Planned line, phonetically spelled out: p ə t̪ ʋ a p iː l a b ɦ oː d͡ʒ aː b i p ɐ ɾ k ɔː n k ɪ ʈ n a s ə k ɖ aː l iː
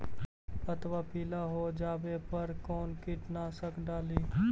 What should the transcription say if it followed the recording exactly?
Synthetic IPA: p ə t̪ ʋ a p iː l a ɦ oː d͡ʒ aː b e p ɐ ɾ k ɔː n k ɪ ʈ n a s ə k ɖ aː l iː